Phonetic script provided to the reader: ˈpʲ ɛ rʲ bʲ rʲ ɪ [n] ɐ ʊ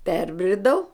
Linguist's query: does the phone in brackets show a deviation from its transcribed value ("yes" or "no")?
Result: yes